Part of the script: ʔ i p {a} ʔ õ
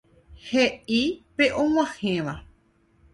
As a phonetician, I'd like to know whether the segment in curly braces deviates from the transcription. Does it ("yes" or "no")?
yes